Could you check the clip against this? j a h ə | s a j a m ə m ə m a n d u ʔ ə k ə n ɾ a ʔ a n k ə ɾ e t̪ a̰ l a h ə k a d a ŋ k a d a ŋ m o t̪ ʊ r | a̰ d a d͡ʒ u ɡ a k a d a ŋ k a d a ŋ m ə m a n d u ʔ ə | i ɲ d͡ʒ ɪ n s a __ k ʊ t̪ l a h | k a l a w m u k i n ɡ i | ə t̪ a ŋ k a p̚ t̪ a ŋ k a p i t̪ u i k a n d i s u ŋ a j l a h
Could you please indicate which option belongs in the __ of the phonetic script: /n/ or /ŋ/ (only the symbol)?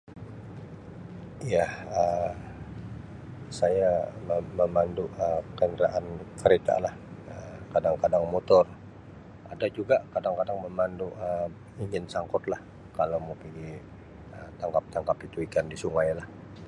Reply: ŋ